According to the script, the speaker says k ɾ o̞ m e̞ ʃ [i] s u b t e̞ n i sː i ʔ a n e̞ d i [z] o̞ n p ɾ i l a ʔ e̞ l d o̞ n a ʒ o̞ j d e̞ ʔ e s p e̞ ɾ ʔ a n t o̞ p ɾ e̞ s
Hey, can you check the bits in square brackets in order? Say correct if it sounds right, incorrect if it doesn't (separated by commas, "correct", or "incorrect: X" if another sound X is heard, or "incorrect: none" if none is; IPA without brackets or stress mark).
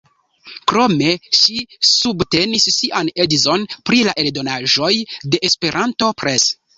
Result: correct, correct